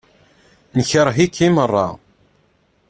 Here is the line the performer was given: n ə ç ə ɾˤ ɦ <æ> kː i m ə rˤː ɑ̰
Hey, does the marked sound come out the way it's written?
no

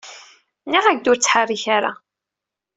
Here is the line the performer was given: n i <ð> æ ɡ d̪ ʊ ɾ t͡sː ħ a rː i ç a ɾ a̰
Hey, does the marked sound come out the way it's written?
no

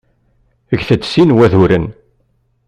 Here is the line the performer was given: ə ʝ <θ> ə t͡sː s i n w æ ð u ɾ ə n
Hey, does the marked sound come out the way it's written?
yes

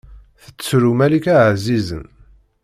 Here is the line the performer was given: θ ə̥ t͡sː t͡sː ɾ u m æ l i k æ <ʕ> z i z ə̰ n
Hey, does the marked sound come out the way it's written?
yes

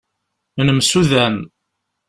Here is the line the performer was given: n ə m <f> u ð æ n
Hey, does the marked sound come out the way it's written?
no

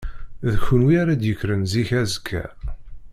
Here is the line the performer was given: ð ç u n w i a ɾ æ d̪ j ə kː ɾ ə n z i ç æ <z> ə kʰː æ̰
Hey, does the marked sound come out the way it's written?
yes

